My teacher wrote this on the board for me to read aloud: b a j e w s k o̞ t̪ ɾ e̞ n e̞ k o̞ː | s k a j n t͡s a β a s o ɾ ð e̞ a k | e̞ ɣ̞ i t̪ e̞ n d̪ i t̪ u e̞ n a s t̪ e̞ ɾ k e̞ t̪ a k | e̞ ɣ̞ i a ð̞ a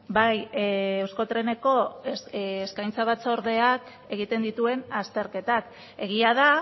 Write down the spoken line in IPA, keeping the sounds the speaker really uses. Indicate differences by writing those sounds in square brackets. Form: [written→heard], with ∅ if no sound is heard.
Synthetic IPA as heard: b a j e w s k o̞ t̪ ɾ e̞ n e̞ k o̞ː | s k a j n t͡s a β a [s→t͡s] o ɾ ð e̞ a k | e̞ ɣ̞ i t̪ e̞ n d̪ i t̪ u e̞ n a s t̪ e̞ ɾ k e̞ t̪ a k | e̞ ɣ̞ i a ð̞ a